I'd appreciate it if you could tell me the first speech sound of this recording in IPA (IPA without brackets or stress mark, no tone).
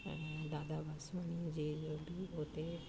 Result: d̪